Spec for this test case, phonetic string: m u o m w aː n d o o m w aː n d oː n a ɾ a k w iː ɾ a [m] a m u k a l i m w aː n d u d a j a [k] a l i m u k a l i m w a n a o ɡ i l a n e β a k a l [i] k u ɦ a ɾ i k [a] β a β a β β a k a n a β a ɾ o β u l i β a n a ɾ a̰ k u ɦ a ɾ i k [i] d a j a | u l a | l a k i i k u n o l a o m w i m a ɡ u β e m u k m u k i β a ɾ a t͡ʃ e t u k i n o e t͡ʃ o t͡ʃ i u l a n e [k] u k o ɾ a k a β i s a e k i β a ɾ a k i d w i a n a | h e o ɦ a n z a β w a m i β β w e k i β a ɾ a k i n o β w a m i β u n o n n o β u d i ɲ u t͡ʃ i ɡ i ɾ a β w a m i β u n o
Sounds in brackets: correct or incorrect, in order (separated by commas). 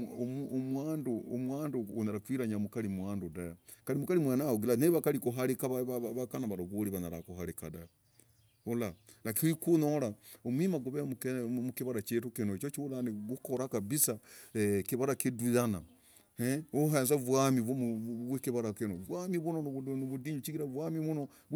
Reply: incorrect, correct, correct, correct, incorrect, incorrect